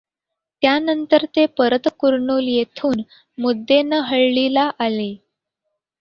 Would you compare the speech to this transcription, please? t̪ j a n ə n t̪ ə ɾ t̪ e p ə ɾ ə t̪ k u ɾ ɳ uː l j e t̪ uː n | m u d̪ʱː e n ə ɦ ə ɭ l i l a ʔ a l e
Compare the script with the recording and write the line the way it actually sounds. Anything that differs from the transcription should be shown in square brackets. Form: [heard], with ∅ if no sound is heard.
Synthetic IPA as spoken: t̪ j a n ə n t̪ ə ɾ t̪ e p ə ɾ ə t̪ k u ɾ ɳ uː l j e [t̪ʰ] uː n | m u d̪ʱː e n ə ɦ ə ɭ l i l a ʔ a l e